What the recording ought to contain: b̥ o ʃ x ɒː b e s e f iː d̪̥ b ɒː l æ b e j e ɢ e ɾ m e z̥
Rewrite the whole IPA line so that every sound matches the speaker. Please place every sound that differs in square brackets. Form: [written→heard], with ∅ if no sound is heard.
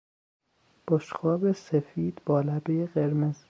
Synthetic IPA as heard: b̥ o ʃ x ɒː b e s e f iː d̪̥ b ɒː l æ b e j e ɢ e ɾ m e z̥

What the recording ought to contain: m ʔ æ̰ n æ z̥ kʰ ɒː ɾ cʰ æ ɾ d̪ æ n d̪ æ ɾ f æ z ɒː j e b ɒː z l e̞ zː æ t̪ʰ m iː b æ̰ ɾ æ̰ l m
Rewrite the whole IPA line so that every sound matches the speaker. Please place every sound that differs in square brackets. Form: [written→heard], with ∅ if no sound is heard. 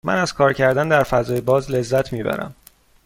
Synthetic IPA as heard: m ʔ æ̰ n æ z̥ kʰ ɒː ɾ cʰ æ ɾ d̪ æ n d̪ æ ɾ f æ z ɒː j e b ɒː z l e̞ zː æ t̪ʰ m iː b æ̰ ɾ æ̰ [l→∅] m

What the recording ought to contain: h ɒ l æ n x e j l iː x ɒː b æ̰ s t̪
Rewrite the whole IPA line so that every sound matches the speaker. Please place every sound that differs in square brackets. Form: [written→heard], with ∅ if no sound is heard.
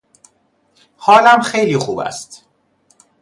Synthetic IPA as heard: h [ɒ→ɒː] l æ [n→m] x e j l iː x [ɒː→uː] b æ̰ s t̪

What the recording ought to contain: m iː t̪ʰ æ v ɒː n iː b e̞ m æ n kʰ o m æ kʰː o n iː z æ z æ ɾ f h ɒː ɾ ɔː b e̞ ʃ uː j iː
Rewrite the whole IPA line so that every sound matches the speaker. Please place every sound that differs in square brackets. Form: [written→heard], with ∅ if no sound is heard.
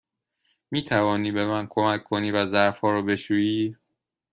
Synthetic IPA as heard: m iː t̪ʰ æ v ɒː n iː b e̞ m æ n kʰ o m æ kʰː o n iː [z→v] æ z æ ɾ f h ɒː ɾ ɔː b e̞ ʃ uː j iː

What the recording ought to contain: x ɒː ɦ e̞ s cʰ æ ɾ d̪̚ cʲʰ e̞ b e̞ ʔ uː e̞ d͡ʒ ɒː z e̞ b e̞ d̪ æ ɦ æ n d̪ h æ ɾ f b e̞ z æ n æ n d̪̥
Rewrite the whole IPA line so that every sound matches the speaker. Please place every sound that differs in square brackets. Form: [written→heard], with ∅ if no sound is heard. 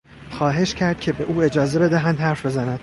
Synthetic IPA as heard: x ɒː ɦ e̞ [s→ʃ] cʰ æ ɾ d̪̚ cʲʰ e̞ b e̞ ʔ uː e̞ d͡ʒ ɒː z e̞ b e̞ d̪ æ ɦ æ n d̪ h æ ɾ f b e̞ z æ n æ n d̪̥

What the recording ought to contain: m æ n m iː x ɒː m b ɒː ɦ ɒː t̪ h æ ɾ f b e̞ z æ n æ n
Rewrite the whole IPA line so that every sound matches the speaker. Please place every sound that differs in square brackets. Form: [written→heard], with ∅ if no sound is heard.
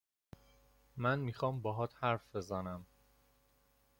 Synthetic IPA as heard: m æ n m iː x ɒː m b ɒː ɦ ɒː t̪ h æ ɾ f b e̞ z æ n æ [n→m]

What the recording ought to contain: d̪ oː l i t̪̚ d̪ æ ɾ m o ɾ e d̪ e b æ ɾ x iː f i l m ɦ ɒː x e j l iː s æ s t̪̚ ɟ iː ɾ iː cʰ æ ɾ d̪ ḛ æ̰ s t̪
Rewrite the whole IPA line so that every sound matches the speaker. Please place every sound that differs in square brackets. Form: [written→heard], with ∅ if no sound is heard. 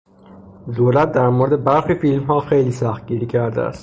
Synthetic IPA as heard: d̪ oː l [i→æ] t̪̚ d̪ æ ɾ m o ɾ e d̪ e b æ ɾ x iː f i l m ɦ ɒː x e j l iː s æ [s→x] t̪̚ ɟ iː ɾ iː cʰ æ ɾ d̪ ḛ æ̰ s t̪

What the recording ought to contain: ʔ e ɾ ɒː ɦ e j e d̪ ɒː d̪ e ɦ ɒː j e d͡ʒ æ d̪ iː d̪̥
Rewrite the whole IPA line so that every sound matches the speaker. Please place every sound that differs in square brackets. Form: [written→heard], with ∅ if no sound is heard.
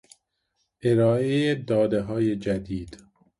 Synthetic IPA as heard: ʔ e ɾ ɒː [ɦ→∅] e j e d̪ ɒː d̪ e ɦ ɒː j e d͡ʒ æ d̪ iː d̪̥

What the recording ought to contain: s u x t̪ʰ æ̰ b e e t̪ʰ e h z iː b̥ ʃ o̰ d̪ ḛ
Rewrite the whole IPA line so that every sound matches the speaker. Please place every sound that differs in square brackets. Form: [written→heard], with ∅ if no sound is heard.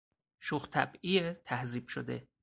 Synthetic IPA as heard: [s→ʃ] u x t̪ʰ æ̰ b [e→i] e t̪ʰ [e→æ] h z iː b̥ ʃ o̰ d̪ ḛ

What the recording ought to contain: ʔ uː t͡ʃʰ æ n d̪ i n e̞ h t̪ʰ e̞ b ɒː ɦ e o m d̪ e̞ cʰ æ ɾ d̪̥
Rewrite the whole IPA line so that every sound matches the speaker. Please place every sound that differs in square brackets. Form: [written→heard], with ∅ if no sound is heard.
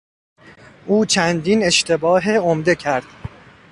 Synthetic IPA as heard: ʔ uː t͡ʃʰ æ n d̪ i n e̞ [h→ʃ] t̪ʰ e̞ b ɒː ɦ e o m d̪ e̞ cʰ æ ɾ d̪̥

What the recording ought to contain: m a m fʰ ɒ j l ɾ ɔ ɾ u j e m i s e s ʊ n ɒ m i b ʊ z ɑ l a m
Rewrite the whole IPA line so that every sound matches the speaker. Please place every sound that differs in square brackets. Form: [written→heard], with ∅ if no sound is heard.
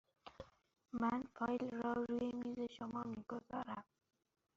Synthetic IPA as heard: m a [m→n] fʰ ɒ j l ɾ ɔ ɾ u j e m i [s→z] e [s→ʃ] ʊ [n→m] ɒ m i [b→ɡ] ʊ z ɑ [l→ɾ] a m

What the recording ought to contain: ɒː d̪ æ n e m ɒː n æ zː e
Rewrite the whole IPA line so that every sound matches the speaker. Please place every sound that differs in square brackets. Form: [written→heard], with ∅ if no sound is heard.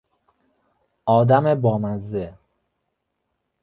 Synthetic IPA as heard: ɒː d̪ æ [n→m] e [m→b] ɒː [n→m] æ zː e

